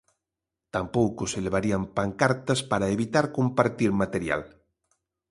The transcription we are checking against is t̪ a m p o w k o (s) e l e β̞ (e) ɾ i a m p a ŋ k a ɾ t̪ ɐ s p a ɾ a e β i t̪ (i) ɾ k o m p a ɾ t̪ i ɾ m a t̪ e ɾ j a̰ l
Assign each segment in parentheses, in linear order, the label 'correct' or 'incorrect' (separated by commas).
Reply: correct, incorrect, incorrect